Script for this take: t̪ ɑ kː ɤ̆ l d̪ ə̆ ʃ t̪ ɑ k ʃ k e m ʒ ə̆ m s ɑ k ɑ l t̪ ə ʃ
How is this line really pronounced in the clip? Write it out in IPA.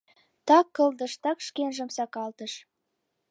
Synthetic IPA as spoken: t̪ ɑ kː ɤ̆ l d̪ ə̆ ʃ t̪ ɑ k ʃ k e n ʒ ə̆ m s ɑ k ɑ l t̪ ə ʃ